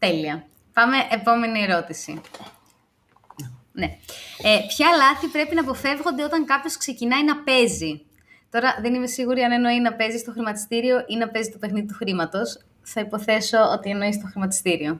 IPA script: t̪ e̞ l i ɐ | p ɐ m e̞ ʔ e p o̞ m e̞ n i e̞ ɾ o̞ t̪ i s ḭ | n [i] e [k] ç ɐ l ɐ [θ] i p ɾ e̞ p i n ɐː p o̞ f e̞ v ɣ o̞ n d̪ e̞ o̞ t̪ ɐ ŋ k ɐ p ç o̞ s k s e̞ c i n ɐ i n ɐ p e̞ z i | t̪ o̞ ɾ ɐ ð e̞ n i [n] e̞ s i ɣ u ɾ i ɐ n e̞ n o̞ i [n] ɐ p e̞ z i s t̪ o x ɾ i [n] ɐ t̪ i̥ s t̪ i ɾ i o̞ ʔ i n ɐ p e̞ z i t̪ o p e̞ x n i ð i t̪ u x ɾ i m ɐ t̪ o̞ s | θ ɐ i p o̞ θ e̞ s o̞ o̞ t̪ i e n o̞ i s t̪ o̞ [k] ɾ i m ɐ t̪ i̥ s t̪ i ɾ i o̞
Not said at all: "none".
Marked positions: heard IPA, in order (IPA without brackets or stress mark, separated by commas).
e, p, θ, m, n, m, x